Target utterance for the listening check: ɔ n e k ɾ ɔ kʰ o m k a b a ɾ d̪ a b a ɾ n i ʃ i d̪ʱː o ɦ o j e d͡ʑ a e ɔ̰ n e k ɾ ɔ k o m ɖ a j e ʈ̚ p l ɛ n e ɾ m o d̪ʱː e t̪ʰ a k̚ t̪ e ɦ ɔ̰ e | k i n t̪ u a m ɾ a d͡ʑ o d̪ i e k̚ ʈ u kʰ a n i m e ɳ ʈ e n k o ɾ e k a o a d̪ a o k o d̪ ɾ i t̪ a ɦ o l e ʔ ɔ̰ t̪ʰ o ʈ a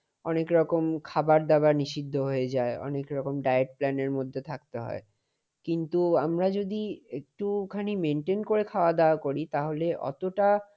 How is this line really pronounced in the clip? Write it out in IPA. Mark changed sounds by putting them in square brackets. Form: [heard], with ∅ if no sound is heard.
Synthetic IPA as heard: ɔ n e k ɾ ɔ [k] o m [kʰ] a b a ɾ d̪ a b a ɾ n i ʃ i d̪ʱː o ɦ o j e d͡ʑ a e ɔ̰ n e k ɾ ɔ k o m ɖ a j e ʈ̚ p l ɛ n e ɾ m o d̪ʱː e t̪ʰ a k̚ t̪ e ɦ ɔ̰ e | k i n t̪ u a m ɾ a d͡ʑ o d̪ i e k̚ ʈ u kʰ a n i m e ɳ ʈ e n k o ɾ e [kʰ] a o a d̪ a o k o [∅] ɾ i t̪ a ɦ o l e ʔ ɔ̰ [t̪] o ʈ a